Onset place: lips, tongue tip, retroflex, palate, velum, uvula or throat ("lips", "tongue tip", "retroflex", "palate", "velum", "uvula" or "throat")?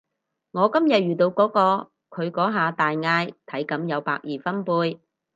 velum